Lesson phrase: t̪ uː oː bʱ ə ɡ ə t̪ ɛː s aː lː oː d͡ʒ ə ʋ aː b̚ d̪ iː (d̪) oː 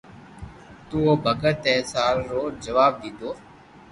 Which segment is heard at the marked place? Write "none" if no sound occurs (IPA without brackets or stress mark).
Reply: d̪